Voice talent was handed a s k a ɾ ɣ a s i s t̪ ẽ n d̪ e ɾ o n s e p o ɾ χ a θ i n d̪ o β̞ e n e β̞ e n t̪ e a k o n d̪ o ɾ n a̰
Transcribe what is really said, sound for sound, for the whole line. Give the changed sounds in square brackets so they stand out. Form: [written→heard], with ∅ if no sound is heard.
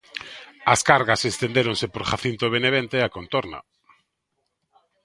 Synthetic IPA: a s k a ɾ ɣ a s [i→e] s t̪ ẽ n d̪ e ɾ o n s e p o ɾ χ a θ i n [d̪→t̪] o β̞ e n e β̞ e n t̪ e a k o n [d̪→t̪] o ɾ n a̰